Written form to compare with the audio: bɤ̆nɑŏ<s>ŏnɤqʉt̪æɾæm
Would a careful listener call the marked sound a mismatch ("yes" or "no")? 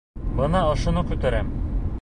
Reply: yes